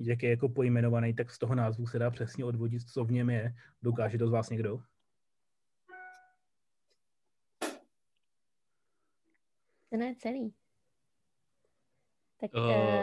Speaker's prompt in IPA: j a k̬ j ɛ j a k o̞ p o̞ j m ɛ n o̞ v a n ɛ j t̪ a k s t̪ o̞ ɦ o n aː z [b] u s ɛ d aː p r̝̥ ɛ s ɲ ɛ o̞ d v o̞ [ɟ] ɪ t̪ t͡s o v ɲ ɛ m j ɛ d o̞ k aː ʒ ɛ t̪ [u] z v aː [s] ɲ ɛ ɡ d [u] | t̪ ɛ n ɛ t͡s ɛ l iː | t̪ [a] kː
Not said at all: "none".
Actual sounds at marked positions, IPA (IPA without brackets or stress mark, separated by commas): v, ɟ, o, s, o, a